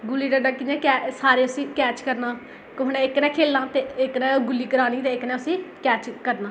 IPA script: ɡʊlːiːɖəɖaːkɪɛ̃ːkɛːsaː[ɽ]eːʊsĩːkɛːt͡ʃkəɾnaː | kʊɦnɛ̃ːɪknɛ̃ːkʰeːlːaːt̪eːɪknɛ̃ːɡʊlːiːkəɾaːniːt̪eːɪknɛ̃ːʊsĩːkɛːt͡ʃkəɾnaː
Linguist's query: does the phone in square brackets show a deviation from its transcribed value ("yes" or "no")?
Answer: yes